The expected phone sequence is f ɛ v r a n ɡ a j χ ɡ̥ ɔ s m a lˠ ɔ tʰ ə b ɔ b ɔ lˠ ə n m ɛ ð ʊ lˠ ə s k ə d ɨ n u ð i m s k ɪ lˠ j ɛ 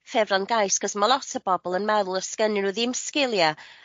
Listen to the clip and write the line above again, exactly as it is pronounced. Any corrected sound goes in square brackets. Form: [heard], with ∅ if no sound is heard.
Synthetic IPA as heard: f ɛ v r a n ɡ a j [s] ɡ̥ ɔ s m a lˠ ɔ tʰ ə b ɔ b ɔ lˠ ə n m ɛ ð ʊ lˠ ə s k ə [n] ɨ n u ð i m s k ɪ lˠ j [a]

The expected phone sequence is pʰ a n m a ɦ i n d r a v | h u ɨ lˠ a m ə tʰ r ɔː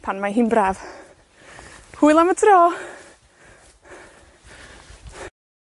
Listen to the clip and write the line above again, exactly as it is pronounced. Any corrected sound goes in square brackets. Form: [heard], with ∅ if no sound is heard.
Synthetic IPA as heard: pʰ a n m a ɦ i n [b] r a v | h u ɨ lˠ a m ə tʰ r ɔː

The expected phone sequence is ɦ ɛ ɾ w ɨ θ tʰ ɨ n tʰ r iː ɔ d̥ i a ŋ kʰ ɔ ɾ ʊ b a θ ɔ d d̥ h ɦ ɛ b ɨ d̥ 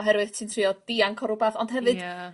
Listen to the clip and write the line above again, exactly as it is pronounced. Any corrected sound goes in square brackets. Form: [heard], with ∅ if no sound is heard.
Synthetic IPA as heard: ɦ ɛ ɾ w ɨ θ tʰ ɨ n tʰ r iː ɔ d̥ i a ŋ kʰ ɔ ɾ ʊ b a θ ɔ [n] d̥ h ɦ ɛ [v] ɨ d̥

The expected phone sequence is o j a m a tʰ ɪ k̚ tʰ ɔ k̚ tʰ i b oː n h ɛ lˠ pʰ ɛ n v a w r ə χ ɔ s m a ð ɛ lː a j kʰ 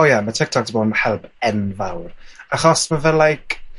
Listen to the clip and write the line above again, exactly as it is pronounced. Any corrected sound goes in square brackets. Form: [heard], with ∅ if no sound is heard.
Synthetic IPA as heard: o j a m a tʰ ɪ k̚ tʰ ɔ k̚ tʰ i b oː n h ɛ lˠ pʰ ɛ n v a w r [a] χ ɔ s m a [v] ɛ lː a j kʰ

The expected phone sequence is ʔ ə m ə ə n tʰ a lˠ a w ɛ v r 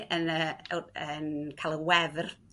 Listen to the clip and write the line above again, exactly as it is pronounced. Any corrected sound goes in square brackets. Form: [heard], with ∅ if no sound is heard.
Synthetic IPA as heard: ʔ ə [n] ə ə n [kʰ] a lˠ [ə] w ɛ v r

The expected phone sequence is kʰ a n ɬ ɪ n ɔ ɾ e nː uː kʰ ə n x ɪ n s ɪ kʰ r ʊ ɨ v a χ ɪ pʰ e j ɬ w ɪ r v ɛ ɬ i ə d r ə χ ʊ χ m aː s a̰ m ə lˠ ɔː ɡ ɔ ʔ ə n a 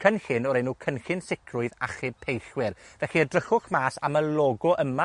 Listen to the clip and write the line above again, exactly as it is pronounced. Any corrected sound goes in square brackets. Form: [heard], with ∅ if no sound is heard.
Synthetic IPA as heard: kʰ [ə] n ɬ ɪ n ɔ ɾ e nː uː kʰ ə n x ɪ n s ɪ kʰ r ʊ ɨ [ð] a χ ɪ pʰ e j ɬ w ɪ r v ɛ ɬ i ə d r ə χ ʊ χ m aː s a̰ m ə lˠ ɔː ɡ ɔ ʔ ə [m] a

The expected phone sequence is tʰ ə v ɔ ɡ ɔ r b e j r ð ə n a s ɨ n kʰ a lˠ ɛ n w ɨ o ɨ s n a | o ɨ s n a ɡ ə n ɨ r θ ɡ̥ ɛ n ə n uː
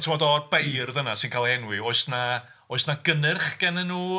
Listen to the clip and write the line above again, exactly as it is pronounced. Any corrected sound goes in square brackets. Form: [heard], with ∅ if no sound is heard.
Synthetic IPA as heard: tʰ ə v ɔ [d] ɔ r b e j r ð ə n a s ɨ n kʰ a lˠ ɛ n w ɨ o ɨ s n a | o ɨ s n a ɡ ə n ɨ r [χ] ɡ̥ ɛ n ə n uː

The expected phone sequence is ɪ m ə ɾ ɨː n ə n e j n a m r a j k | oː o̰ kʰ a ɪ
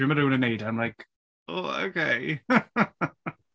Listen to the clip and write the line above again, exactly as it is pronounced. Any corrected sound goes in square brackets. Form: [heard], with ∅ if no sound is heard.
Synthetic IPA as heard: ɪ m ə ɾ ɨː n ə n e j [d] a m [l] a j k | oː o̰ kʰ [e] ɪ

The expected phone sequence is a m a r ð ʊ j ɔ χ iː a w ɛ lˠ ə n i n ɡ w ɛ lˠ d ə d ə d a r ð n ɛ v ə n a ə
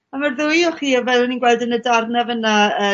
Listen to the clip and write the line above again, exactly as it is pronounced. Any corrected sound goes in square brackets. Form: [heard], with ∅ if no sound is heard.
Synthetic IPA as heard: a m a r ð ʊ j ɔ χ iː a [v] ɛ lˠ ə n i n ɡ w ɛ lˠ d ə [n] ə d a r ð n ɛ v ə n a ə

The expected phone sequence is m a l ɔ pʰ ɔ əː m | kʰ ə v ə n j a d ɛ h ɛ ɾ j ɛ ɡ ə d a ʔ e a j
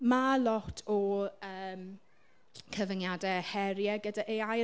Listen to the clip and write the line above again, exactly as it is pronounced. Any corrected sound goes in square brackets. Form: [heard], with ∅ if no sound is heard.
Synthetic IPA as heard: m a l ɔ [tʰ] ɔ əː m | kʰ ə v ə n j a d ɛ h ɛ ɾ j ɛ ɡ ə d a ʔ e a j

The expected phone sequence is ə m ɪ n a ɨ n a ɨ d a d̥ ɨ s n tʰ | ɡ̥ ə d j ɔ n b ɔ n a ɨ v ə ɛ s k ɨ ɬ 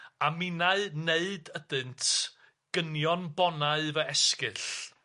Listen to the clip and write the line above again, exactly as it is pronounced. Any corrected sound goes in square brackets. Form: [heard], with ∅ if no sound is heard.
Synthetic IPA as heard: [a] m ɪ n a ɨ n [e] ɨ d [ə] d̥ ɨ [∅] n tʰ | ɡ̥ ə [n] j ɔ n b ɔ n a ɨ v ə ɛ s k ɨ ɬ

